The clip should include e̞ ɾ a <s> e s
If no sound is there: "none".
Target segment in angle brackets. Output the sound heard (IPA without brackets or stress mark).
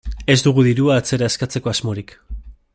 none